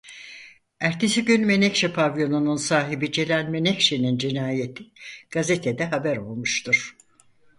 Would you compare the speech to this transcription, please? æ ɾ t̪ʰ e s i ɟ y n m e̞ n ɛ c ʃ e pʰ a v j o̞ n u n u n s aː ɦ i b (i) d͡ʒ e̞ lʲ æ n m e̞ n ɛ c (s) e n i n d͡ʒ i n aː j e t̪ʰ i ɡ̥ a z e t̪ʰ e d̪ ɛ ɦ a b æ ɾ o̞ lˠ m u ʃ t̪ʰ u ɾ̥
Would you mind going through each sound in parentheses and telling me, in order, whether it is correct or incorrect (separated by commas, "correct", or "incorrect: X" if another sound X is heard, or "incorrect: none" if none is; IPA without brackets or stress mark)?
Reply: correct, incorrect: ʃ